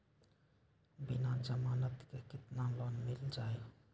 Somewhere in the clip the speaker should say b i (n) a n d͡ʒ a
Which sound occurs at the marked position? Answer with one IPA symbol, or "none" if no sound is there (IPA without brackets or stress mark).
n